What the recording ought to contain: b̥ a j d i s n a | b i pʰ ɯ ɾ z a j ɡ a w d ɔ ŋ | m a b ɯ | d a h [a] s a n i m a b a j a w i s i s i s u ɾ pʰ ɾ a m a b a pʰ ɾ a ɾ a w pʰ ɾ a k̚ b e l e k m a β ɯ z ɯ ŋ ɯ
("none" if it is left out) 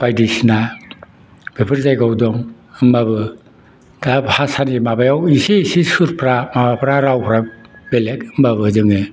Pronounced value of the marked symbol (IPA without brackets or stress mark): a